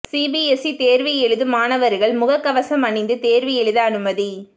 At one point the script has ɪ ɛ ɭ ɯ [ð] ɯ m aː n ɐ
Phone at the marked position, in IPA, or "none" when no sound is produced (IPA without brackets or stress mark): ð